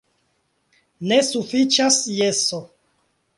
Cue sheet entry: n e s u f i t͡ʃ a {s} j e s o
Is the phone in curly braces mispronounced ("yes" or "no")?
no